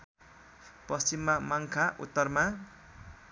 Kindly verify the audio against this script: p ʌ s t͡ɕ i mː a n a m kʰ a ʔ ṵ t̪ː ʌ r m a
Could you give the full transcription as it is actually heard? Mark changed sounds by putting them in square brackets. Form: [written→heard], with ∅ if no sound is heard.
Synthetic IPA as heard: p ʌ s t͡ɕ i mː a [n→m] a [m→ŋ] kʰ a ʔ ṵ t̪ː ʌ r m a